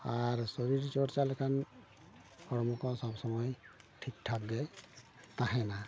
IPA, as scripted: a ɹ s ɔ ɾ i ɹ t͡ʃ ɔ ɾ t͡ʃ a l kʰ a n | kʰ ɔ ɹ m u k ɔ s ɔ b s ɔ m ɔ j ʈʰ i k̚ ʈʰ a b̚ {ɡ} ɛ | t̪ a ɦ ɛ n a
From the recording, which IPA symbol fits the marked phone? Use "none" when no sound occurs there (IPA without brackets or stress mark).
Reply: ɡ